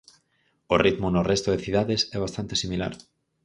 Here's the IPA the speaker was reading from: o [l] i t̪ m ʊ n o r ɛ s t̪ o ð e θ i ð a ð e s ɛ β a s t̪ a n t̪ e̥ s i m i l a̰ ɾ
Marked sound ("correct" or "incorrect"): incorrect